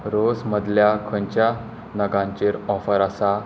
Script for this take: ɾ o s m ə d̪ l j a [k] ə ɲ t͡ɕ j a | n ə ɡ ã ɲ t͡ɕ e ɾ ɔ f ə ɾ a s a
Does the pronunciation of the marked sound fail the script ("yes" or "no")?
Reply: yes